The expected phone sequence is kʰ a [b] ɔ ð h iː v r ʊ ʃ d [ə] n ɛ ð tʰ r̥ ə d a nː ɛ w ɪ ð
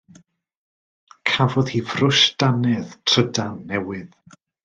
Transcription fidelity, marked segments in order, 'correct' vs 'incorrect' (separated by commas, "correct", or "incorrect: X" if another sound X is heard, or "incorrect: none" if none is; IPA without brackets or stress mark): incorrect: v, incorrect: a